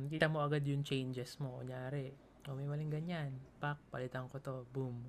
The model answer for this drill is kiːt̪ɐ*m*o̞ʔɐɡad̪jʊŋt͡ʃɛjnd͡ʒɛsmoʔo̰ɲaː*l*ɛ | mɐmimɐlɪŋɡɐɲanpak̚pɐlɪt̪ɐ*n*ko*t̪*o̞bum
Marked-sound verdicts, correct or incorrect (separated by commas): correct, incorrect, incorrect, correct